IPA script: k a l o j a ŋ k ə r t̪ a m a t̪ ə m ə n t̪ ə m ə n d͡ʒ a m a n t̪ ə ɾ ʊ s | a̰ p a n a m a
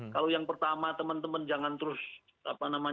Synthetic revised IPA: k a l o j a ŋ p ə r t̪ a m a t̪ ə m ə n t̪ ə m ə n d͡ʒ a ŋ a n t̪ ə ɾ ʊ s | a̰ p a n a m a